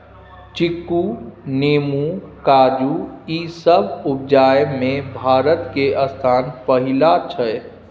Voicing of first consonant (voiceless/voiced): voiceless